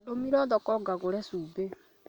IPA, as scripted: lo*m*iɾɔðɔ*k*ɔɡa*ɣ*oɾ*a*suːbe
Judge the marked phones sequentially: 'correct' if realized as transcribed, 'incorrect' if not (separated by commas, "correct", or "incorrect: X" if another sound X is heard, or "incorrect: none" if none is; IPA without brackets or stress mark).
correct, correct, correct, incorrect: ɛ